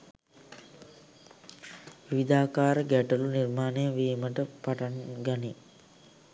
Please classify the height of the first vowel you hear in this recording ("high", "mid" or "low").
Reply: high